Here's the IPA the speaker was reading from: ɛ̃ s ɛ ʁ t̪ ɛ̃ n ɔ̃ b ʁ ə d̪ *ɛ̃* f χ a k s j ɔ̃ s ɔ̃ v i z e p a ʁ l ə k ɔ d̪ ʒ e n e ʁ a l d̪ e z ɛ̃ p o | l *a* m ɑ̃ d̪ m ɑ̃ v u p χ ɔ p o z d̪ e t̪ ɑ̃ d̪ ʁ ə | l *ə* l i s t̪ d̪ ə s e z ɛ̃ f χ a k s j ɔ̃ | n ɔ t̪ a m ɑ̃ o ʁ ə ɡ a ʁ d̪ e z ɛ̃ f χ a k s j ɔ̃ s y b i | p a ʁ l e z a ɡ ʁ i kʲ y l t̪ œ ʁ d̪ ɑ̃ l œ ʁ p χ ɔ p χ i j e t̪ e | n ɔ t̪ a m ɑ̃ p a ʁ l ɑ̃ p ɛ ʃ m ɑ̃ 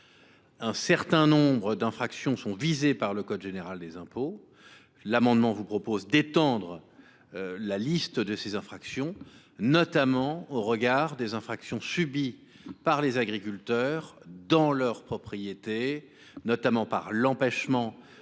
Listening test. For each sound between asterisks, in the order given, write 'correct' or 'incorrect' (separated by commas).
correct, correct, incorrect